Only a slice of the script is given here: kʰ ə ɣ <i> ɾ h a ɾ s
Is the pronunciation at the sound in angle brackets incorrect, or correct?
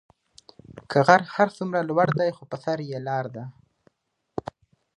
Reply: incorrect